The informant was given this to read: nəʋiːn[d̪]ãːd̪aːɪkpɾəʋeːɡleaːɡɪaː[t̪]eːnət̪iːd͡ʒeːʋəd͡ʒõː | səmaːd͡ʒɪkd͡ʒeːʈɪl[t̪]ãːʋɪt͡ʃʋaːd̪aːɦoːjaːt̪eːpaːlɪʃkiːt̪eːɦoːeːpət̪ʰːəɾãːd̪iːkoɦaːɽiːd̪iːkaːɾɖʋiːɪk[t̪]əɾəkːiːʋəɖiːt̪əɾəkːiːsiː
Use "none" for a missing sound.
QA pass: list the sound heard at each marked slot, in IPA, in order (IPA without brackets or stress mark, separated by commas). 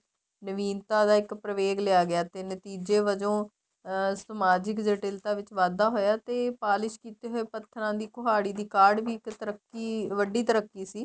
t̪, t̪, t̪, t̪